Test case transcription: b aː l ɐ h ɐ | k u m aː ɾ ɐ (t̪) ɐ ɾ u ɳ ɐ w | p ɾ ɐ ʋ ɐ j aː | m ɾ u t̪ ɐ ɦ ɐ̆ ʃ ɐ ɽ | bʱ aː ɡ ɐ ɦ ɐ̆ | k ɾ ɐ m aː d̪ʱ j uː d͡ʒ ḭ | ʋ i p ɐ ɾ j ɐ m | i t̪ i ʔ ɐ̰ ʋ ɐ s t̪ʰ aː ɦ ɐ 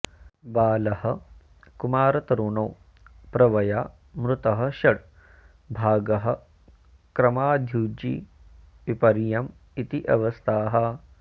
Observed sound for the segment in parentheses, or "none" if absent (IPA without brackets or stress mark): t̪